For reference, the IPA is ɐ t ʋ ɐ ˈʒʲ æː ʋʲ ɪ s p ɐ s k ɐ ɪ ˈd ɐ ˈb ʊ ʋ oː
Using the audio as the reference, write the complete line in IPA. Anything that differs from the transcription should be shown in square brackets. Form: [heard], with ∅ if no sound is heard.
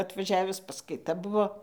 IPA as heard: ɐ t ʋ ɐ ˈʒʲ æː ʋʲ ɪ s p ɐ s k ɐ ɪ [ˈt] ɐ ˈb ʊ ʋ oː